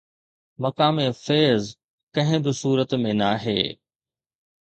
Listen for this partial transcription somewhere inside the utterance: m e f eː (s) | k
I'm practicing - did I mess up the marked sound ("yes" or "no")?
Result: yes